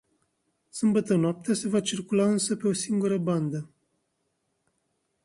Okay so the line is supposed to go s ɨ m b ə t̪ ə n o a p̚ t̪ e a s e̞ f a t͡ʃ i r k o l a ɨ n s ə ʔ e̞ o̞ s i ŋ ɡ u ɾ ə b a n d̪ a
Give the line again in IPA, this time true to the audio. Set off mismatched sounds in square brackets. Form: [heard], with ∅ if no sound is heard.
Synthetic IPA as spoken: s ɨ m b ə t̪ ə n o a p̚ t̪ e a s e̞ [v] a t͡ʃ i r k [u] l a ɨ n s ə [p] e̞ o̞ s i ŋ ɡ u ɾ ə b a n d̪ [ə]